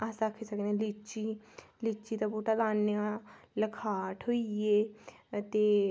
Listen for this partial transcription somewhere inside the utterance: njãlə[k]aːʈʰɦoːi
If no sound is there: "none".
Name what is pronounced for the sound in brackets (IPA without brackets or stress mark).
kʰ